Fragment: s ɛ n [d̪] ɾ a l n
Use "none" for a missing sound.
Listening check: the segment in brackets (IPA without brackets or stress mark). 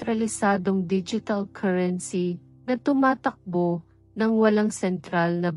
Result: t̪